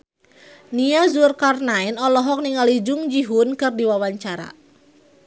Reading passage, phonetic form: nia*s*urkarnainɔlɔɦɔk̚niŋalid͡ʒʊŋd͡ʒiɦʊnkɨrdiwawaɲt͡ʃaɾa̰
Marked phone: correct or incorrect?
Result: incorrect